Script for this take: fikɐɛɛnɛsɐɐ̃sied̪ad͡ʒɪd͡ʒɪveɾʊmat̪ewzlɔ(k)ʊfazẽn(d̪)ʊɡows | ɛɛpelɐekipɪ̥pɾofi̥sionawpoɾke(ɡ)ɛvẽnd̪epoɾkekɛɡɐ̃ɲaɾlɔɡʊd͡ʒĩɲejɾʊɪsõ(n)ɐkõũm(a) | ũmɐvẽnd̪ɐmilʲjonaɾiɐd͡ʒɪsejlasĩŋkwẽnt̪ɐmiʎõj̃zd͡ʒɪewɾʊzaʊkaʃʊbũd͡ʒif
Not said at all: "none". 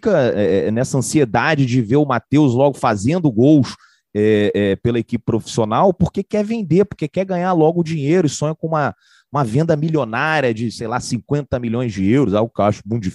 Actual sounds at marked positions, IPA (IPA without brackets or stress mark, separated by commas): ɡ, d̪, k, ɲ, ɐ